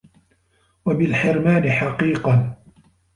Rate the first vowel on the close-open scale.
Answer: open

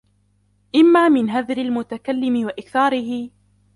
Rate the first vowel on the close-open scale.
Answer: close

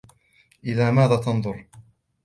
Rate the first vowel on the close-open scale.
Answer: close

